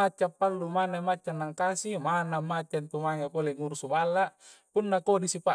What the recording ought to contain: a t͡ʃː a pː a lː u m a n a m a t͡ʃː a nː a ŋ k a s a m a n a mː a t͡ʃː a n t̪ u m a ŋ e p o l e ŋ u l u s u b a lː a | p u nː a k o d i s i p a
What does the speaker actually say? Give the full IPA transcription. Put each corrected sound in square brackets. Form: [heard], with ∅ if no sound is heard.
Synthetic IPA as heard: a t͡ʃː a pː a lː u m a n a m a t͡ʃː a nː a ŋ k a s [i] m a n a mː a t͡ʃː a n t̪ u m a ŋ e p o l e ŋ u [ɾ] u s u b a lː a | p u nː a k o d i s i p a

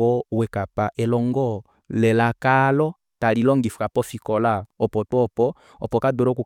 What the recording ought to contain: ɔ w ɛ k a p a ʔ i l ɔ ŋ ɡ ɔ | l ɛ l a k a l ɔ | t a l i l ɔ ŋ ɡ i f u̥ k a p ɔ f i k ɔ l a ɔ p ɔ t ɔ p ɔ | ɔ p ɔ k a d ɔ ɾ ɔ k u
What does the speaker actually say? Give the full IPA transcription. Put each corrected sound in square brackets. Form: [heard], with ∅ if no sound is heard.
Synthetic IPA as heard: ɔ w ɛ k a p a ʔ [ɛ] l ɔ ŋ ɡ ɔ | l ɛ l a k a l ɔ | t a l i l ɔ ŋ ɡ i f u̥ k a p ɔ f i k ɔ l a ɔ p ɔ t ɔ p ɔ | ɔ p ɔ k a d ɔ ɾ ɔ k u

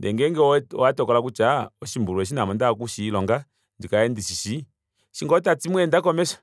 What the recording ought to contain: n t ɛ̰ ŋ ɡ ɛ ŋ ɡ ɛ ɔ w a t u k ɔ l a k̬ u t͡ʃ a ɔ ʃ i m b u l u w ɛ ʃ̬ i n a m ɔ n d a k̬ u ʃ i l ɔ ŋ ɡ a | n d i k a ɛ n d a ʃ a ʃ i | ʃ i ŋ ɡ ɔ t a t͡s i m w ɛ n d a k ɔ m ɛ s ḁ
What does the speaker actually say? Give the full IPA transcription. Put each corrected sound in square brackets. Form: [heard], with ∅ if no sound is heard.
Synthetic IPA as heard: n [d] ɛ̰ ŋ ɡ ɛ ŋ ɡ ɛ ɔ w a t [ɔ] k ɔ l a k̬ u t͡ʃ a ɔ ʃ i m b u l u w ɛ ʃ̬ i n a m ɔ n d a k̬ u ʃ i l ɔ ŋ ɡ a | n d i k a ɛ n d [i] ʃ [i] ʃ i | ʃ i ŋ ɡ ɔ t a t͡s i m w ɛ n d a k ɔ m ɛ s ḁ

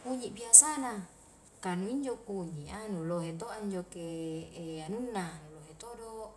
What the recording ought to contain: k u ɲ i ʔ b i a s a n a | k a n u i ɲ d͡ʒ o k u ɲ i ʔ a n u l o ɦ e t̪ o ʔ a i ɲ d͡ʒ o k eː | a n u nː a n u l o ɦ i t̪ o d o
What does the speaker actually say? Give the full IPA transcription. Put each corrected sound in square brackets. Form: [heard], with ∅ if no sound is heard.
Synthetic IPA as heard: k u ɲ i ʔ b i a s a n a | k a n u i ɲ d͡ʒ o k u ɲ i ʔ a n u l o ɦ e t̪ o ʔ a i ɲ d͡ʒ o k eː | a n u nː a n u l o ɦ [e] t̪ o d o

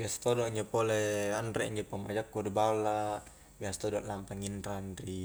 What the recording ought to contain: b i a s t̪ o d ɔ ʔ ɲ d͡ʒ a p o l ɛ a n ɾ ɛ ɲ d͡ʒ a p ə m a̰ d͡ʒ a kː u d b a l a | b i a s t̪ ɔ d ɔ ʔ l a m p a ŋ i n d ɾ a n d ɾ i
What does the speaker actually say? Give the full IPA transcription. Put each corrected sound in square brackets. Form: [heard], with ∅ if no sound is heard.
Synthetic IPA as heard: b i a s t̪ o d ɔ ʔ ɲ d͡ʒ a p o l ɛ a n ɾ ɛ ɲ d͡ʒ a p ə m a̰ d͡ʒ a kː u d b a l a | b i a s t̪ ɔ d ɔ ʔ l a m p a ŋ i n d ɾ a n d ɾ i

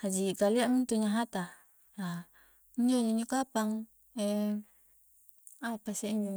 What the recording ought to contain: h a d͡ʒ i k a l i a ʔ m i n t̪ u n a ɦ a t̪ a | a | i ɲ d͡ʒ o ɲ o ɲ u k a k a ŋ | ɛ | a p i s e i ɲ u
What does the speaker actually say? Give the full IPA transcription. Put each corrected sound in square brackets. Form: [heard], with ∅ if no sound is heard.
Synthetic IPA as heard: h a d͡ʒ i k a l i a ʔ m i n t̪ u [ɲ] a ɦ a t̪ a | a | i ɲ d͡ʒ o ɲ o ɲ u k a [p] a ŋ | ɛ | a p [a] s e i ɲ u

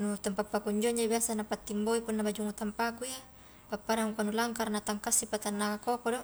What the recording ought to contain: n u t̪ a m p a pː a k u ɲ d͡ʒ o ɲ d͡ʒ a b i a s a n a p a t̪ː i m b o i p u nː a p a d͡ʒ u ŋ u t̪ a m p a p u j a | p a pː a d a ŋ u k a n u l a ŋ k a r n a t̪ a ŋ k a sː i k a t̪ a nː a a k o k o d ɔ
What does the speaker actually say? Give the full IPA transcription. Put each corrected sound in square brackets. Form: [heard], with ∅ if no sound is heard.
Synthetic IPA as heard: n u t̪ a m p a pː a k u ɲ d͡ʒ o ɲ d͡ʒ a b i a s a n a p a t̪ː i m b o i p u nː a [b] a d͡ʒ u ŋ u t̪ a m p a [k] u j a | p a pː a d a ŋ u k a n u l a ŋ k a r n a t̪ a ŋ k a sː i [p] a t̪ a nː a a k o k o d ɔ

